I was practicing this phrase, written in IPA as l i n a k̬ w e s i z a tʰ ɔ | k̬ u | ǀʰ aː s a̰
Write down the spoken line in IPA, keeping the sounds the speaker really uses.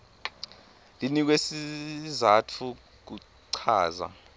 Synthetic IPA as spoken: l i n i k̬ w e s i z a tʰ u | k̬ u | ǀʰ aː z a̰

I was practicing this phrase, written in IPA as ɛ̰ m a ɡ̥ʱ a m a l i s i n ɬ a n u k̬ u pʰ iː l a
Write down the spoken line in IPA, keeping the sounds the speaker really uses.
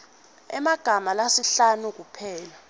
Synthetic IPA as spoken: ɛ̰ m a ɡ̥ʱ a m a l a s i ɬ a n u k̬ u pʰ ɛː l a

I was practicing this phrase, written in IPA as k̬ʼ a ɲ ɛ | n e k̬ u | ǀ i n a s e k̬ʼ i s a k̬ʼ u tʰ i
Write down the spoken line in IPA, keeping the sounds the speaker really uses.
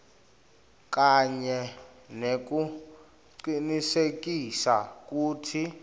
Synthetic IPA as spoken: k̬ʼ a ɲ ɛ | n e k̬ u | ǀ i n i s e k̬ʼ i s a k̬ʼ uː tʰ i

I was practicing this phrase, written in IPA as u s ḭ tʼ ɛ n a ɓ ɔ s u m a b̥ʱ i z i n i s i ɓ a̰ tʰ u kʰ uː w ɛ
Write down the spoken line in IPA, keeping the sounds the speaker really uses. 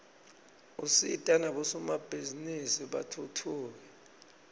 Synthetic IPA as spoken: u s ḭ tʼ a n a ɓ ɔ s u m a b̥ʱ i z i n i s i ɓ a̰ tʰ u tʰ uː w ɛ

